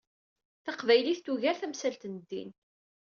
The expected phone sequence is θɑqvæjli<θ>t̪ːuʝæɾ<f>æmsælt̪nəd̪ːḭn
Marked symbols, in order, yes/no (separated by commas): yes, no